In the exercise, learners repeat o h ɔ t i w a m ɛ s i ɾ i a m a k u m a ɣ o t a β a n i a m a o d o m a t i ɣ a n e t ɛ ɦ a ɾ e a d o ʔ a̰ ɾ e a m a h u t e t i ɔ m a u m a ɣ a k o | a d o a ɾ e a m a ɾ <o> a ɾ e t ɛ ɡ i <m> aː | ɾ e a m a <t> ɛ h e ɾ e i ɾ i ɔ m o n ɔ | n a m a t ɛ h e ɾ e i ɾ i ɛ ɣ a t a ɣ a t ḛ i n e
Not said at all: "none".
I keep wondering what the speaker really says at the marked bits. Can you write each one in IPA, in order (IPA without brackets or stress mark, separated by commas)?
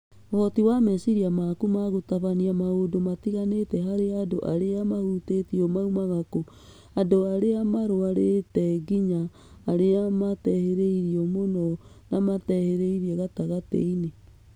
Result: o, ɲ, t